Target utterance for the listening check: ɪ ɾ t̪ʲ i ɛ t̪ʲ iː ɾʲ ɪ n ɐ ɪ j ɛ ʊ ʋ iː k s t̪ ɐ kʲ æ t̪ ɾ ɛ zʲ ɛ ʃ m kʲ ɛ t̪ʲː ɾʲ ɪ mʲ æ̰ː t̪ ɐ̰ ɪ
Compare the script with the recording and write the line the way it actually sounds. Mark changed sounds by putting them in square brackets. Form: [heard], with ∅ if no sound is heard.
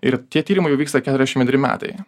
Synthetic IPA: ɪ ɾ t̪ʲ i ɛ t̪ʲ iː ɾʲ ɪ [m] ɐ ɪ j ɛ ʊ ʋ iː k s t̪ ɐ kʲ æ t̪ ɾ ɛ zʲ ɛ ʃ m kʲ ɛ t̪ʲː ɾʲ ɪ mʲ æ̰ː t̪ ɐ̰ ɪ